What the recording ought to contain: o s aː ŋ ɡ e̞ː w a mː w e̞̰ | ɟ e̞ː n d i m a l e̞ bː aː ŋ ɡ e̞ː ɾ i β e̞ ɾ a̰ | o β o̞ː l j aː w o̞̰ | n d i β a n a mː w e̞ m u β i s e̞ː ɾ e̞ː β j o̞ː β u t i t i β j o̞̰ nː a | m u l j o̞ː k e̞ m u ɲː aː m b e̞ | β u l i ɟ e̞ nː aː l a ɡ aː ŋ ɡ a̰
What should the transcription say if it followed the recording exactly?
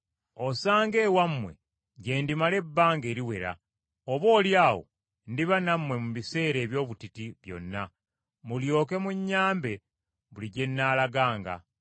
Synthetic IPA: o s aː ŋ ɡ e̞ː w a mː w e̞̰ | ɟ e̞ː n d i m a l e̞ bː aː ŋ ɡ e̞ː ɾ i w e̞ ɾ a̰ | o β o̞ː l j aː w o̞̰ | n d i β a n a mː w e̞ m u β i s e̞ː ɾ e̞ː β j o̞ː β u t i t i β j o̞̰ nː a | m u l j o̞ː k e̞ m u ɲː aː m b e̞ | β u l i ɟ e̞ nː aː l a ɡ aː ŋ ɡ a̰